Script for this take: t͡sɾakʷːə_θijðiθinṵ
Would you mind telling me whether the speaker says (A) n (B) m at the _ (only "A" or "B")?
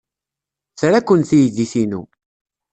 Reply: A